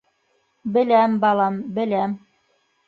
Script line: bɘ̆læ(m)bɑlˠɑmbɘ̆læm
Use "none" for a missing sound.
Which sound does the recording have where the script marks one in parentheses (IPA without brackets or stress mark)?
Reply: m